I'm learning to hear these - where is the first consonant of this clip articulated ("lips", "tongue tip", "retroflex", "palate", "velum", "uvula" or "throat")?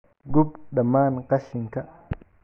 velum